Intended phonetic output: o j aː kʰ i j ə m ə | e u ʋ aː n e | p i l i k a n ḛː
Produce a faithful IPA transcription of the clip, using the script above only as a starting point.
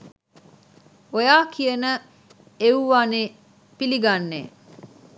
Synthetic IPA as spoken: o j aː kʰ i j ə n ə | e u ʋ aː n e | p i l i ɡ a nː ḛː